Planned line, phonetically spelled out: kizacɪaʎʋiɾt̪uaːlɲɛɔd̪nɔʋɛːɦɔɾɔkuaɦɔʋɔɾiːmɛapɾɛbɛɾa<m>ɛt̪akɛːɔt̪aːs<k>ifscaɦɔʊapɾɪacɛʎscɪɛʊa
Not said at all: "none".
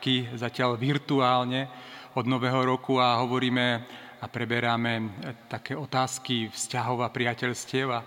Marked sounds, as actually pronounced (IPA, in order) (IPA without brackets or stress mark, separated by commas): m, k